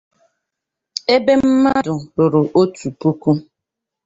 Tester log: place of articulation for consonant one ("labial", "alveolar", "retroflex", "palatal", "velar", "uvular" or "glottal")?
labial